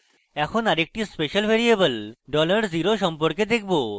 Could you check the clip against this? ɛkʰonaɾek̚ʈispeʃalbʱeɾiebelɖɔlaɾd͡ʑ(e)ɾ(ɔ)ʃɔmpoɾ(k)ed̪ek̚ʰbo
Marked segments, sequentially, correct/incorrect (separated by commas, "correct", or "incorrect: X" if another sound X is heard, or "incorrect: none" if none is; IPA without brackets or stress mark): incorrect: i, incorrect: o, correct